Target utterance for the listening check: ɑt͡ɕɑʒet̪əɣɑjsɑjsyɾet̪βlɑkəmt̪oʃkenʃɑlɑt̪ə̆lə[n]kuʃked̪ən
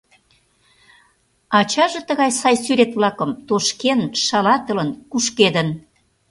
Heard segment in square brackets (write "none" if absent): n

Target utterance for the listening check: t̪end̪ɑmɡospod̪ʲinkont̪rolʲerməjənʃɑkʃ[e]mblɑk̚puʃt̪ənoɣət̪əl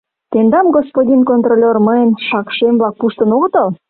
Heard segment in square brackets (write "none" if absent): e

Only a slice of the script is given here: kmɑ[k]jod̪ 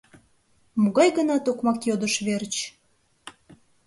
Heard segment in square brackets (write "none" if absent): k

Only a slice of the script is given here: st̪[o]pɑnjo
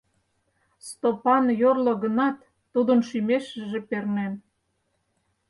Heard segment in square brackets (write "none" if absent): o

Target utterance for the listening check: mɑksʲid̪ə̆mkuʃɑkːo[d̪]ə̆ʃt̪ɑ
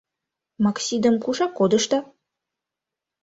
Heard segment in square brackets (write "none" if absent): d̪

